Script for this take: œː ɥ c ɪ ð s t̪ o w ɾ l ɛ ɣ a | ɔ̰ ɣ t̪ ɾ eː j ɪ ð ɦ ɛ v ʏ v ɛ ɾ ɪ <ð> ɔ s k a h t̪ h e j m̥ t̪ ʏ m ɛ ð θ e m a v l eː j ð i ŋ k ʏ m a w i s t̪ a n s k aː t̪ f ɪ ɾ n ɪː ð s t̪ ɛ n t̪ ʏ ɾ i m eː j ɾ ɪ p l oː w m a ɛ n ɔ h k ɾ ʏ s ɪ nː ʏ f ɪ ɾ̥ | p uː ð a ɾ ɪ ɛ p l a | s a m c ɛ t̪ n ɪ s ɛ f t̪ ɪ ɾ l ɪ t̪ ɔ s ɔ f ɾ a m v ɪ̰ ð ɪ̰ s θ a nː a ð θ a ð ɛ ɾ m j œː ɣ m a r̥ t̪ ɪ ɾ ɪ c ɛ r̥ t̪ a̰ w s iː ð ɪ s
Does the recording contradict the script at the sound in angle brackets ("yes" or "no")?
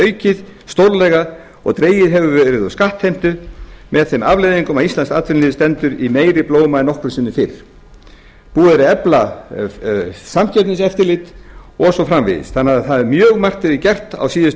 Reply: no